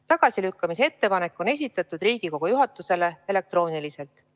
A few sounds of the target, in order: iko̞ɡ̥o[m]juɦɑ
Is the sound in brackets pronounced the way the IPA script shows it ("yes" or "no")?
no